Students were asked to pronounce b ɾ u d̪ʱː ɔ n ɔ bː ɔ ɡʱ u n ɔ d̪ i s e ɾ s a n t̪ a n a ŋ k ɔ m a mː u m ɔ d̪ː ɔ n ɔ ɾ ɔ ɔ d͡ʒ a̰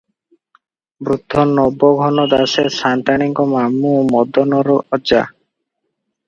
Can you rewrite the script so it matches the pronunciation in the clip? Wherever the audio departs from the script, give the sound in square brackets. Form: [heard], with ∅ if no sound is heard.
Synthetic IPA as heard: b ɾ u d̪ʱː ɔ n ɔ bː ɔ ɡʱ [ɔ] n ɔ d̪ [a] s e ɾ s a n t̪ a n [i] ŋ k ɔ m a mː u m ɔ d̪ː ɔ n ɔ ɾ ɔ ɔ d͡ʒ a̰